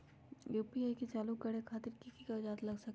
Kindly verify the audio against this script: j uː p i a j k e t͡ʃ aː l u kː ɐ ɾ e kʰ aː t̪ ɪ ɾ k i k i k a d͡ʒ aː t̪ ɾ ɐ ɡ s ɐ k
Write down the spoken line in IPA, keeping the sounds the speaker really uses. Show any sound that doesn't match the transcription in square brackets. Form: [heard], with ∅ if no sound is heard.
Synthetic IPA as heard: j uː p i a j k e t͡ʃ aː l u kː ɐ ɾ e kʰ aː t̪ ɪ ɾ k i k i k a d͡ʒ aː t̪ [l] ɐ ɡ s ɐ k